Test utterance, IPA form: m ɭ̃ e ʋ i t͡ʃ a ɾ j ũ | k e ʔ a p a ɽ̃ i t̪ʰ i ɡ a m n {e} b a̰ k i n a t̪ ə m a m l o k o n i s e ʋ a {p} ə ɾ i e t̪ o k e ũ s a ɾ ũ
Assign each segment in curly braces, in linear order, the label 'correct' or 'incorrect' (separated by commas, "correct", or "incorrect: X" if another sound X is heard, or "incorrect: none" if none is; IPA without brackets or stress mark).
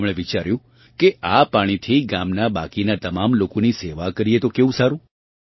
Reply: incorrect: a, incorrect: k